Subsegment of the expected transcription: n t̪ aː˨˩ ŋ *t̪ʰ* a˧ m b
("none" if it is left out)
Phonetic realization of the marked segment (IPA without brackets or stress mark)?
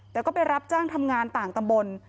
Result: t̪